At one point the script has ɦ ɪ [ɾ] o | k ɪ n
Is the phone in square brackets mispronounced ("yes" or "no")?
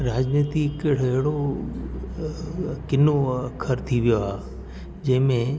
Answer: yes